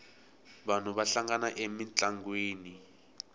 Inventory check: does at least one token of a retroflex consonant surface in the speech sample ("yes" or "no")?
no